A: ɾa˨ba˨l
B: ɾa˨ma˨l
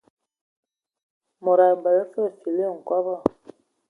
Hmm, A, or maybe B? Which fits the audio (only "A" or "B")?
A